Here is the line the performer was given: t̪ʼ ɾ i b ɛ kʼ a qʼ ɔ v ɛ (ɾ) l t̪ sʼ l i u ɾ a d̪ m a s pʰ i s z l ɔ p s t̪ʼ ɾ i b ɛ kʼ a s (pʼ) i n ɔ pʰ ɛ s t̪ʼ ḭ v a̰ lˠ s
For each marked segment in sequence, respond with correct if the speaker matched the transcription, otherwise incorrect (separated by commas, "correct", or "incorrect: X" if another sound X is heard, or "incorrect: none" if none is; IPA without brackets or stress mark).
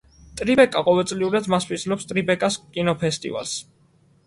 incorrect: none, incorrect: kʼ